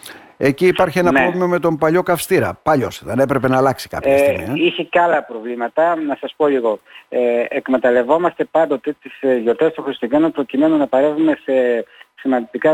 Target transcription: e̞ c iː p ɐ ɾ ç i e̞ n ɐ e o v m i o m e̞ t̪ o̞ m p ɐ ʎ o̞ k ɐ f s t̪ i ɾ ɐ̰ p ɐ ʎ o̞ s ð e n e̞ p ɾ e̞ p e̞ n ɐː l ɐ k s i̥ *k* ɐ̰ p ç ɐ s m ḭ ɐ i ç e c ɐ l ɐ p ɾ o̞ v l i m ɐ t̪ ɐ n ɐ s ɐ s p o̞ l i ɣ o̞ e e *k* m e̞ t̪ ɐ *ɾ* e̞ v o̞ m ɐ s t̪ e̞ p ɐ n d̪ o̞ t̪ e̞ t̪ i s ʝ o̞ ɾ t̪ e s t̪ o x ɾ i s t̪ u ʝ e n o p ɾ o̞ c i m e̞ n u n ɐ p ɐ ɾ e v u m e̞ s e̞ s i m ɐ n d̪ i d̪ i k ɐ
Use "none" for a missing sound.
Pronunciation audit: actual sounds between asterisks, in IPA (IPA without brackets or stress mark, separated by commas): k, k, l